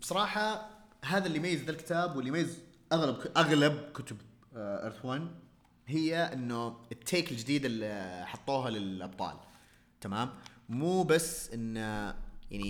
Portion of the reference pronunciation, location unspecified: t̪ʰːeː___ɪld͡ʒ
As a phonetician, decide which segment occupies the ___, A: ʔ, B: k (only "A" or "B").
B